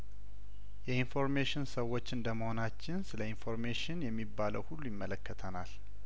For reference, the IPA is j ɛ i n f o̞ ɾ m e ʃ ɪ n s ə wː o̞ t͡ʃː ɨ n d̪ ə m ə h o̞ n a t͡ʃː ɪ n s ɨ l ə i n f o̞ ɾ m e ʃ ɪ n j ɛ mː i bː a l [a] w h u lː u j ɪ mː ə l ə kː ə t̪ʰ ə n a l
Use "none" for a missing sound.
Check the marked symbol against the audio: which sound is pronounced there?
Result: ə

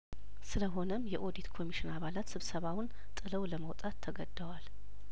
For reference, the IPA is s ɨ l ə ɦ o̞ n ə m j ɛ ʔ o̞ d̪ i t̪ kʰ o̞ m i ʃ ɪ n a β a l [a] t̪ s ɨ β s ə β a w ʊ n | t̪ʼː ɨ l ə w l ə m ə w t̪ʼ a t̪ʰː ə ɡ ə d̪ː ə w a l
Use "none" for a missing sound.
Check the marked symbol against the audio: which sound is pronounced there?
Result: a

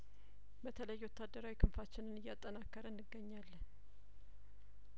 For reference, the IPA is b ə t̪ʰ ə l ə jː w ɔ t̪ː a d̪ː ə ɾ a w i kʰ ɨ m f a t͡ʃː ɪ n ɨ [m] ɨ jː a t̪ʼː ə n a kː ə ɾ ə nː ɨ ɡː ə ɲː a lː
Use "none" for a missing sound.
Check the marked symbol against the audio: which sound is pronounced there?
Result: n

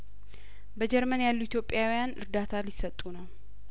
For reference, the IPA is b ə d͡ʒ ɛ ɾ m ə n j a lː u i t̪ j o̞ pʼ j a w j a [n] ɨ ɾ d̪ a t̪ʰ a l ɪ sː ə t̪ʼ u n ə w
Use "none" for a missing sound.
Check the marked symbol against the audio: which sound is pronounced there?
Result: n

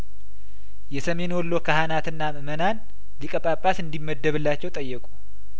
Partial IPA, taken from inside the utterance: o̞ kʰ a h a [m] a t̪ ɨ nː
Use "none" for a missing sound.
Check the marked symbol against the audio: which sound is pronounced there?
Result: n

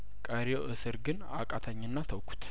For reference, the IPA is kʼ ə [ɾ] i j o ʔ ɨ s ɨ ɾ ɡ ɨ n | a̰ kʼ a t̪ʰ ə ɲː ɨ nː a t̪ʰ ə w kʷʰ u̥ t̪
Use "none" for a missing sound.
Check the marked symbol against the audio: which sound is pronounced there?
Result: ɾ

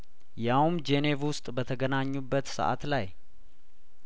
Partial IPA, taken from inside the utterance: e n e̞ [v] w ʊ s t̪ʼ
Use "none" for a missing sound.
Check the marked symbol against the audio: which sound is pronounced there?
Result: v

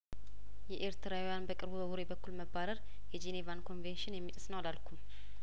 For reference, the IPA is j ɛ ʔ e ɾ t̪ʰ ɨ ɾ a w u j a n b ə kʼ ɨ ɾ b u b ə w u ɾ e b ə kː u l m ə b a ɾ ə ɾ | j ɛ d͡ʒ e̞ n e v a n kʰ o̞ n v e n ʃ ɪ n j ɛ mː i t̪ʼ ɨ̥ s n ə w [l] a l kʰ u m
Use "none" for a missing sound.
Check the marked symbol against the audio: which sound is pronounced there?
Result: l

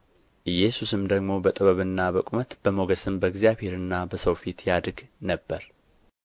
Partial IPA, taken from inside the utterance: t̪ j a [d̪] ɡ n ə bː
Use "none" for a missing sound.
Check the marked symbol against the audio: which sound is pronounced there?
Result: d̪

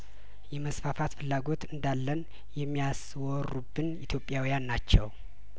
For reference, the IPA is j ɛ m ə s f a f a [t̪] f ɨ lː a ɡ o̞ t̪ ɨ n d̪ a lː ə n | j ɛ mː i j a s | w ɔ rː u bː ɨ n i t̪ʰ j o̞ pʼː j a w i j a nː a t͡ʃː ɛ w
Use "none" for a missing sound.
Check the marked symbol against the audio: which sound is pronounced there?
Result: t̪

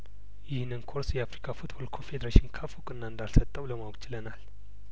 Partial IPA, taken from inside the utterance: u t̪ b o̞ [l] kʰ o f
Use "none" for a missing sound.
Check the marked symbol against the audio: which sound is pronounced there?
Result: l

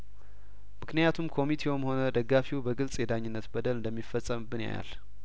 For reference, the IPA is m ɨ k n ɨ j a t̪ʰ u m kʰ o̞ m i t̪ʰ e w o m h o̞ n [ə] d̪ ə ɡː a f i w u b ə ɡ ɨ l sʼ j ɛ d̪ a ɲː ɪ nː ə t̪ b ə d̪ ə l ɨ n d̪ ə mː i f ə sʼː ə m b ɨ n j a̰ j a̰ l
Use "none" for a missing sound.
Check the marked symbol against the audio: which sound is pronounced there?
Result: ə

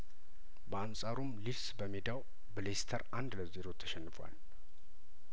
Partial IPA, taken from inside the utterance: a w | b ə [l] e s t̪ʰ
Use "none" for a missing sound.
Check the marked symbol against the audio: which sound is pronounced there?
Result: l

